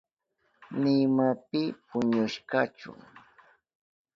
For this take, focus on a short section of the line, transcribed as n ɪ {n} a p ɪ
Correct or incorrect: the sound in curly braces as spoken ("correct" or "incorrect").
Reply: incorrect